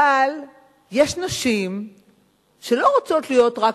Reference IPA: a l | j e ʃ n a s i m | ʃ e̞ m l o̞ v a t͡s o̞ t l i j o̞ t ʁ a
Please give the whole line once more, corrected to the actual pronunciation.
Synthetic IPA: a l | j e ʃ n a ʃ i m | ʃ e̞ l o̞ ʁ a t͡s o̞ t l i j o̞ t ʁ a